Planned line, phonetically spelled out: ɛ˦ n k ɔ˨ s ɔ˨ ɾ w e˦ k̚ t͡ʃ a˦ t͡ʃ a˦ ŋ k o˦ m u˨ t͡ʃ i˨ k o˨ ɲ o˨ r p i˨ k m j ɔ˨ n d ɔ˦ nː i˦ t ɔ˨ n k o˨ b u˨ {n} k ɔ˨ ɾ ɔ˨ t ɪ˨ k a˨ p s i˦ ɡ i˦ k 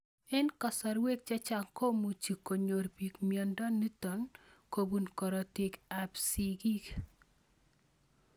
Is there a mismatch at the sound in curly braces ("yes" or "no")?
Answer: no